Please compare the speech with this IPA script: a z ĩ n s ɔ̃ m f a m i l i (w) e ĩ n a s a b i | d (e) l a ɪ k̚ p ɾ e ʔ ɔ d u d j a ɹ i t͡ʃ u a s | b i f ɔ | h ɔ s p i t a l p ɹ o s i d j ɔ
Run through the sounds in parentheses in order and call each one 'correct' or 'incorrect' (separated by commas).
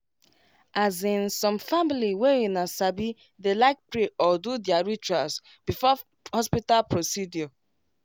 correct, correct